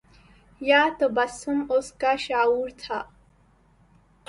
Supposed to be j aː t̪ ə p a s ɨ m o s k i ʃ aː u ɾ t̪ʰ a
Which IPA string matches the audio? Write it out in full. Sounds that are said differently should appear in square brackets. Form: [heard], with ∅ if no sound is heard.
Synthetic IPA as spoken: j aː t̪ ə [b] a s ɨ m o s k [a] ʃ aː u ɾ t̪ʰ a